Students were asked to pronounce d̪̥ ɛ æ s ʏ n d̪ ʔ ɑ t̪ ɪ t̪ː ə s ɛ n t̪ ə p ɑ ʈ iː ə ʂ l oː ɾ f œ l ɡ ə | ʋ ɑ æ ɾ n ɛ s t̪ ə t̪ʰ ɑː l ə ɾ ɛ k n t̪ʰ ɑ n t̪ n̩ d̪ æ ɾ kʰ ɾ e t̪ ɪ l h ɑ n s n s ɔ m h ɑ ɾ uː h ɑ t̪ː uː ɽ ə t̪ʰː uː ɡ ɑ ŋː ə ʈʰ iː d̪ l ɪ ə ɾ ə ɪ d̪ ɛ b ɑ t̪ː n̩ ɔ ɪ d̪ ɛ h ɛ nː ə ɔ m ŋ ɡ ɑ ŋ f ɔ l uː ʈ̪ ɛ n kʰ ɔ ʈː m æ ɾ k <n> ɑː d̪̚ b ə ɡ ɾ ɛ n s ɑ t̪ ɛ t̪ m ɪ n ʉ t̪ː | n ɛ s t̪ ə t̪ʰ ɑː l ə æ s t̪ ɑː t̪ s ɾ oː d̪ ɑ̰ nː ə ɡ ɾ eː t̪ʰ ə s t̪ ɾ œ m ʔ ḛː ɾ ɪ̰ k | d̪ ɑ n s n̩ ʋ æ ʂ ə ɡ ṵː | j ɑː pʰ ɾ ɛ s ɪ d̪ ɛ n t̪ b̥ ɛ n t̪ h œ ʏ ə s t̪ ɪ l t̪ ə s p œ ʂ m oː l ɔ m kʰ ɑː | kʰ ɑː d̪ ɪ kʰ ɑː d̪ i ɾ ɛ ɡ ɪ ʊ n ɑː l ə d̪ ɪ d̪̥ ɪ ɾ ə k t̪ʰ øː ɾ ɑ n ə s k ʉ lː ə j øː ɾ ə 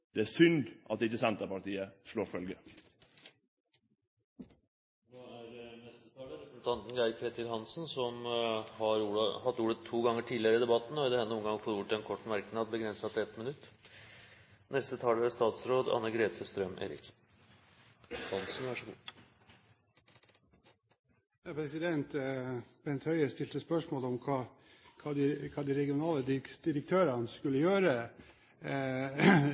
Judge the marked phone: correct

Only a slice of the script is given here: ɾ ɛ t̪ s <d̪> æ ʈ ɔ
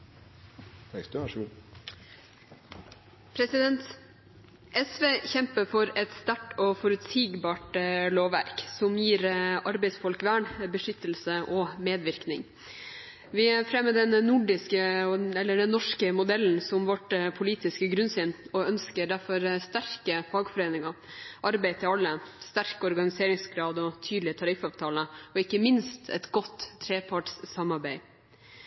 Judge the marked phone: incorrect: t̪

